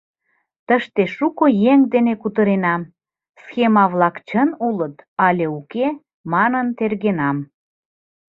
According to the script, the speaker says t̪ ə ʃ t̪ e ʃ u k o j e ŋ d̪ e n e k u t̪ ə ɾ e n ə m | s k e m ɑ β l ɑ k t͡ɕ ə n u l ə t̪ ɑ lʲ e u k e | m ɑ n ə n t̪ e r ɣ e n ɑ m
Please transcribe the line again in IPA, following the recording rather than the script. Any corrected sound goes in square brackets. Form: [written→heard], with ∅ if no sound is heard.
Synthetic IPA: t̪ ə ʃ t̪ e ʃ u k o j e ŋ d̪ e n e k u t̪ ə ɾ e n [ə→ɑ] m | s [k→x] e m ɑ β l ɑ k t͡ɕ ə n u l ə t̪ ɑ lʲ e u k e | m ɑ n ə n t̪ e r ɣ e n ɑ m